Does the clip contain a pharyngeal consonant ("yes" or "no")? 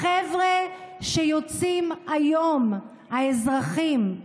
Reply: no